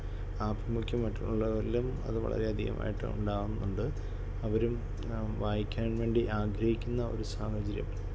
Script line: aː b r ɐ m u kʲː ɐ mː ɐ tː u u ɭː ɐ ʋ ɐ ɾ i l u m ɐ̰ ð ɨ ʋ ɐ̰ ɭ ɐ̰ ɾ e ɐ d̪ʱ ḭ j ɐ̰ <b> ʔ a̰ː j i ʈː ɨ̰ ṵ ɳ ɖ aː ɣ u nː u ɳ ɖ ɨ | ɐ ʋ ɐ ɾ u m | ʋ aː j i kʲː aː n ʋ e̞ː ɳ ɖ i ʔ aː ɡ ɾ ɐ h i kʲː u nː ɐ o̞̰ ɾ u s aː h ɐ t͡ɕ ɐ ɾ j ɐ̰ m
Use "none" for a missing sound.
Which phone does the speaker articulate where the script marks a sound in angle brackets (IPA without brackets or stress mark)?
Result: m